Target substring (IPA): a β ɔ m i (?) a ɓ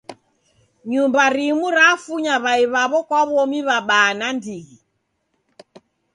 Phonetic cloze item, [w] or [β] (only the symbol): β